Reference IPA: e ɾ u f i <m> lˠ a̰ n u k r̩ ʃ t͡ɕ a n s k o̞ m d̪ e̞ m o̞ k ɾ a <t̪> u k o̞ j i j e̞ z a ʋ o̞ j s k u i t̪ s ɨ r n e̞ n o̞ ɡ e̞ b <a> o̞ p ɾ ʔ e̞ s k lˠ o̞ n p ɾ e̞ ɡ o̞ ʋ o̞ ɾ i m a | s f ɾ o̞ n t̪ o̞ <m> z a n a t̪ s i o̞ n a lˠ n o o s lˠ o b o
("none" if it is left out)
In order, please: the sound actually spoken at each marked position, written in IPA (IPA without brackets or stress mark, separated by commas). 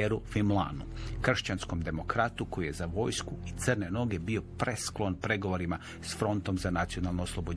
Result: m, t̪, i, m